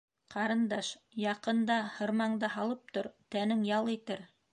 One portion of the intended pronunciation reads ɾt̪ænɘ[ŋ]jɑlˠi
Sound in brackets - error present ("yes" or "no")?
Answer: no